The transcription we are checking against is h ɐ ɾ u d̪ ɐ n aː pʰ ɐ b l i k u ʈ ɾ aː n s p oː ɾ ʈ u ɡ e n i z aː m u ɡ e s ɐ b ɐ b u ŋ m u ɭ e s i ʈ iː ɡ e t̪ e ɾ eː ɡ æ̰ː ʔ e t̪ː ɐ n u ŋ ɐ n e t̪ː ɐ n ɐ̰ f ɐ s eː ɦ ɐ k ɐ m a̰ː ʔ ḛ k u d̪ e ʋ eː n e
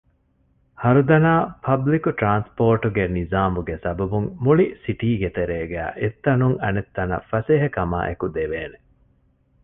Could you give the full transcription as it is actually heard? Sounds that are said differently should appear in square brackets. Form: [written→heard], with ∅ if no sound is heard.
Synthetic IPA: h ɐ ɾ u d̪ ɐ n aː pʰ ɐ b l i k u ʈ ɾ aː n s p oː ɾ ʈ u ɡ e n i z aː m u ɡ e s ɐ b ɐ b u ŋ m u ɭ [e→i] s i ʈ iː ɡ e t̪ e ɾ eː ɡ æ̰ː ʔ e t̪ː ɐ n u ŋ ɐ n e t̪ː ɐ n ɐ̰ f ɐ s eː ɦ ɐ k ɐ m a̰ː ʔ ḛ k u d̪ e ʋ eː n e